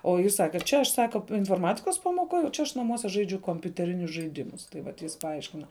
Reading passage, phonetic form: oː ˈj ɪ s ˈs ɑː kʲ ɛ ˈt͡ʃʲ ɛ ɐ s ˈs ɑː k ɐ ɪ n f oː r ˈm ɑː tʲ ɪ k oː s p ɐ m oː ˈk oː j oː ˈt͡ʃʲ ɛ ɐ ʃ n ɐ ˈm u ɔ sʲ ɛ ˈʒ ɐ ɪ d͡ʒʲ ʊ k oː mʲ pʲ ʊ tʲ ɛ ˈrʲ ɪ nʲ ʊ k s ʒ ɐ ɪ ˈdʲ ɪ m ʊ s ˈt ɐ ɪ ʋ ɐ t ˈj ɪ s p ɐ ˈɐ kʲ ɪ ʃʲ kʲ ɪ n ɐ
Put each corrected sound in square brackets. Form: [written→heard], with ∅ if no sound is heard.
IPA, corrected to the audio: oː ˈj ɪ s ˈs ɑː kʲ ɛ ˈt͡ʃʲ ɛ ɐ [s→ʃ] ˈs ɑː k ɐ ɪ n f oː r ˈm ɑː tʲ ɪ k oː s p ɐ m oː ˈk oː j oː ˈt͡ʃʲ ɛ ɐ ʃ n ɐ ˈm u ɔ sʲ ɛ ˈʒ ɐ ɪ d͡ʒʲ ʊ k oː mʲ pʲ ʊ tʲ ɛ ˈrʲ ɪ nʲ ʊ [k→∅] s ʒ ɐ ɪ ˈdʲ ɪ m ʊ s ˈt ɐ ɪ ʋ ɐ t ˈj ɪ s p ɐ ˈɐ [kʲ→∅] ɪ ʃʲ kʲ ɪ n ɐ